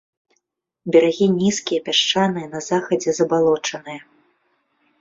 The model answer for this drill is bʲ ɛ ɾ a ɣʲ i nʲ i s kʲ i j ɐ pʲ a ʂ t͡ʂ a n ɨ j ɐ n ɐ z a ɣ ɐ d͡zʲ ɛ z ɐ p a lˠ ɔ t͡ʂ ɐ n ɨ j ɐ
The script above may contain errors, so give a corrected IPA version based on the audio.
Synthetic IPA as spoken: bʲ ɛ ɾ a ɣʲ i nʲ i s kʲ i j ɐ pʲ a ʂ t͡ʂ a n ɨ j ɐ n ɐ z a x ɐ d͡zʲ ɛ z ɐ b a lˠ ɔ t͡ʂ ɐ n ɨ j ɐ